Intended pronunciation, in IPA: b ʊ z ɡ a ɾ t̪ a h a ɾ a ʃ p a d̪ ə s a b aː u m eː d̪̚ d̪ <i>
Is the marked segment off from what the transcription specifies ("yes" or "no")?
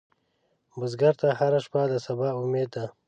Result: yes